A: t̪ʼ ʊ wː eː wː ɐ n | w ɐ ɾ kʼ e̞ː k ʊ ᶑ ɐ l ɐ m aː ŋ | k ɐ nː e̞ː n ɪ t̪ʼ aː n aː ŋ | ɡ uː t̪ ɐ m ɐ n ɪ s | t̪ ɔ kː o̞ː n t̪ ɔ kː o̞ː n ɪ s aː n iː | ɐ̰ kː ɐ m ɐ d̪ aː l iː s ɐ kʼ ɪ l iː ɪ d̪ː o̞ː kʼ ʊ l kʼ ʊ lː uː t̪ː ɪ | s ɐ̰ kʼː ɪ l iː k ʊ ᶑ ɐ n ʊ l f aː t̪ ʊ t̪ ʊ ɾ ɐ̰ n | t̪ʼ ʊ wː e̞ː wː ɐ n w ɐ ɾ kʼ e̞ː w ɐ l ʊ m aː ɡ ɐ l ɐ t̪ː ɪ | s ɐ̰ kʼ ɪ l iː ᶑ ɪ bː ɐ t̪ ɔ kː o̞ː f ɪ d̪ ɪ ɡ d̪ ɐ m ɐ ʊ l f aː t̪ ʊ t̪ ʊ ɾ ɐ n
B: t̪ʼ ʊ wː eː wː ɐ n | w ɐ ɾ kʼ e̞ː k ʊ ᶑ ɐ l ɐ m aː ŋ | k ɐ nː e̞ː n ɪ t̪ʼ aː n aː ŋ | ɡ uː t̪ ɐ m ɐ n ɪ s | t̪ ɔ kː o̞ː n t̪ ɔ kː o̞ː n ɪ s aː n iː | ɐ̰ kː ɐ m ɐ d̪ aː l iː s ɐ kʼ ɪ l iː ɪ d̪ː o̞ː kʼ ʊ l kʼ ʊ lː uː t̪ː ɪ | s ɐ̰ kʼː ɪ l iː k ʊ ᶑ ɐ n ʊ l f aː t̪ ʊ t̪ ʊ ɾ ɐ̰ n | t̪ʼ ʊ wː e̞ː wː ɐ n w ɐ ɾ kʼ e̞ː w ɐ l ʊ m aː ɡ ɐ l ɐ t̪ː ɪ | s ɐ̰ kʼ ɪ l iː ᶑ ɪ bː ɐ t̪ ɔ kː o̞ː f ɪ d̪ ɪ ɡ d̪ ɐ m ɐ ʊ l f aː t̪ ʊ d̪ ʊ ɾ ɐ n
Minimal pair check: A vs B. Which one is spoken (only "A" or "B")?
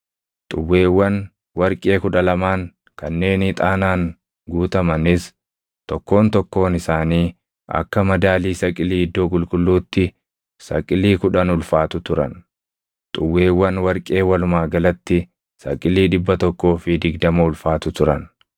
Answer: A